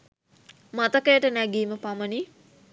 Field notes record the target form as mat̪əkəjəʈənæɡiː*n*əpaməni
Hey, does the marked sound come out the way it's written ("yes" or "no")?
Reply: no